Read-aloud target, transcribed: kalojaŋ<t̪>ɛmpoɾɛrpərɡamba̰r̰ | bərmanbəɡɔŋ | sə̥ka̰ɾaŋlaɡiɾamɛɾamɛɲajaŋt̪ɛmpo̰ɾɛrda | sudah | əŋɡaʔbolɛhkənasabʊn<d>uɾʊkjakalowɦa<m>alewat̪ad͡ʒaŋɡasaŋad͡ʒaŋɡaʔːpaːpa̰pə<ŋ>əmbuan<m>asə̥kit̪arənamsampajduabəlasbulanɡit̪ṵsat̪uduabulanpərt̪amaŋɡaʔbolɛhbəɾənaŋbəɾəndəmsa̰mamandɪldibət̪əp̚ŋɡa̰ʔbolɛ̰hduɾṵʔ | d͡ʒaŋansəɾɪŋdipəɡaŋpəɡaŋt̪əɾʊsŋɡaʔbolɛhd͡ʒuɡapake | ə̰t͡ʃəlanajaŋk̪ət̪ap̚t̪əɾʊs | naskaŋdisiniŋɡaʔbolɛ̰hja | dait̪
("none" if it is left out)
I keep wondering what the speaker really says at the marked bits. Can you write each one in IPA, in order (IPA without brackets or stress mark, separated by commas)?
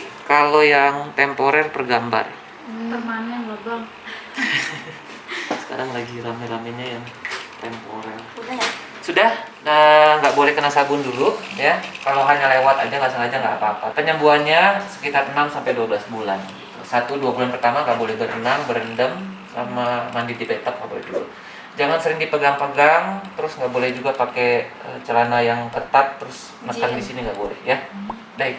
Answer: t̪, d, ɲ, ɲ, ɲ